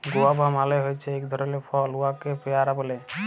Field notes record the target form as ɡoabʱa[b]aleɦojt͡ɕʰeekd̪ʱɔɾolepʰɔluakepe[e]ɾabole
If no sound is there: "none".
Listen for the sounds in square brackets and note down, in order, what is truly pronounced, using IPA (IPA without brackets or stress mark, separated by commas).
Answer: m, a